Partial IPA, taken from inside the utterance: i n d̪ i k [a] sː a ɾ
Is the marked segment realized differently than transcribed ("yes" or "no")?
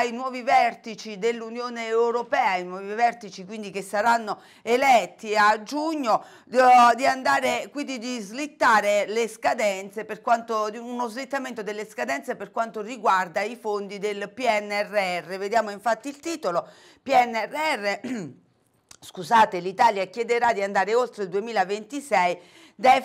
yes